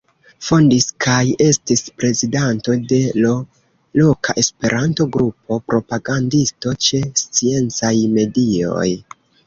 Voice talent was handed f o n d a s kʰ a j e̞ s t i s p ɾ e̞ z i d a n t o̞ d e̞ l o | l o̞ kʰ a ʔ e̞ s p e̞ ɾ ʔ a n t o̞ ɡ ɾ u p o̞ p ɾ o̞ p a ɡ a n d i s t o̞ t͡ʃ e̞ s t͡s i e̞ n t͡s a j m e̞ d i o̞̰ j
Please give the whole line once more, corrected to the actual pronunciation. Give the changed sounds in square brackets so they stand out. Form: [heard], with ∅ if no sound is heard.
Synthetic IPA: f o n d [i] s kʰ a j e̞ s t i s p ɾ e̞ z i d a n t o̞ d e̞ l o | l o̞ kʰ a ʔ e̞ s p e̞ ɾ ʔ a n t o̞ ɡ ɾ u p o̞ p ɾ o̞ p a ɡ a n d i s t o̞ t͡ʃ e̞ s t͡s i e̞ n t͡s a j m e̞ d i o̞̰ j